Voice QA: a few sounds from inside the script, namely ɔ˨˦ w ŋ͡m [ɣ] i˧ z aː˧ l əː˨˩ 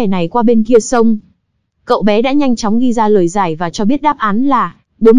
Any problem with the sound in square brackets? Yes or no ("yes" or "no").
no